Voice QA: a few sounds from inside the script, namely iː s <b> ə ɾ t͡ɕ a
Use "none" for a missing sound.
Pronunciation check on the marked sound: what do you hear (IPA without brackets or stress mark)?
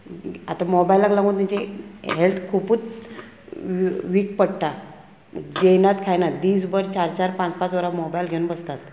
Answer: b